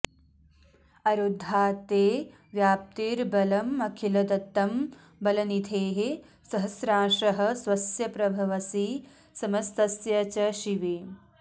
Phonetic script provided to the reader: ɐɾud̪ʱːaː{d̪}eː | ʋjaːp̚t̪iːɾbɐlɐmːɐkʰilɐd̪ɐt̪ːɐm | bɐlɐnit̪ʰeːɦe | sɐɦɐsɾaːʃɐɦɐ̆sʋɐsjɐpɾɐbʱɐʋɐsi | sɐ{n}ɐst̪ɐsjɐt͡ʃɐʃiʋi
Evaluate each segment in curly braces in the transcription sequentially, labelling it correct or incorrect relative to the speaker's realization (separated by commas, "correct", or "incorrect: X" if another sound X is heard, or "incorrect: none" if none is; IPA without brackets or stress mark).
incorrect: t̪, incorrect: m